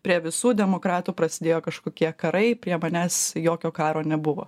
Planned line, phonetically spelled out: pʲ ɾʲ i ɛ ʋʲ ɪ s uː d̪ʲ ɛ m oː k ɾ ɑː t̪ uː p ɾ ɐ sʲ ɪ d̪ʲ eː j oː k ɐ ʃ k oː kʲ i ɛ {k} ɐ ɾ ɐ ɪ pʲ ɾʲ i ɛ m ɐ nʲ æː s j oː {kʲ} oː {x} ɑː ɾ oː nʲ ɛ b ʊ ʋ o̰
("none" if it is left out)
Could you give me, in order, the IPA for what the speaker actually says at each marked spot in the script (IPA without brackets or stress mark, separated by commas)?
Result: k, kʲ, k